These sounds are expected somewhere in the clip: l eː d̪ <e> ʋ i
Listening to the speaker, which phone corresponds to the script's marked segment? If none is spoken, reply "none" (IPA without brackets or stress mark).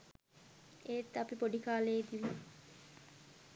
i